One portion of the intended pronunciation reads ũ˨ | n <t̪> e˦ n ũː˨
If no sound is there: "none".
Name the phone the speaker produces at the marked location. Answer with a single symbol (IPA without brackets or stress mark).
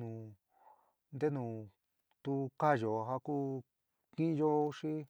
d̪